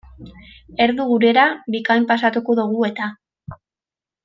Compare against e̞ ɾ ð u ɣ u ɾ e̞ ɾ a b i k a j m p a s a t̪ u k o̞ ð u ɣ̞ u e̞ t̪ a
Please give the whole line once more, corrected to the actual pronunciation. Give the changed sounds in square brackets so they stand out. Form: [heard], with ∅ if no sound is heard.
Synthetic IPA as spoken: e̞ ɾ ð u ɣ u ɾ e̞ ɾ a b i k a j m p a s a t̪ u k o̞ ð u ɣ̞ u e̞ t̪ a